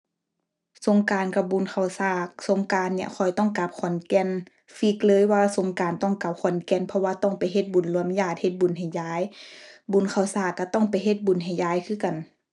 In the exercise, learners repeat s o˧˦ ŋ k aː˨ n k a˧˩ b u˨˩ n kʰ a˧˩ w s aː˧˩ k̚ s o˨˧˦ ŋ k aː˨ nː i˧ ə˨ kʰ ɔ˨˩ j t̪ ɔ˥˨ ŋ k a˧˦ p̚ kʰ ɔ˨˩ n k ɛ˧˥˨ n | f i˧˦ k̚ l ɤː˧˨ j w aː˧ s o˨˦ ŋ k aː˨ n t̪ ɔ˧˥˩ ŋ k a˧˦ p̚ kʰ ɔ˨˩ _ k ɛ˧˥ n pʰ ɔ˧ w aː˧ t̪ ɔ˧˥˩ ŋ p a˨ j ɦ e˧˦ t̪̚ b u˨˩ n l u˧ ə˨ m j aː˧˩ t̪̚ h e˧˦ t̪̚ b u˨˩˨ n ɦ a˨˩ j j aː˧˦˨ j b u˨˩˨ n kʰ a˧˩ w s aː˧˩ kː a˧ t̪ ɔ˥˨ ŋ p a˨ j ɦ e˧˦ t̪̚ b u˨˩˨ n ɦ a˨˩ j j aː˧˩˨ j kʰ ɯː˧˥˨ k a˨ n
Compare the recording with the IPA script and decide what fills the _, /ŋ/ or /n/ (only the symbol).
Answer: n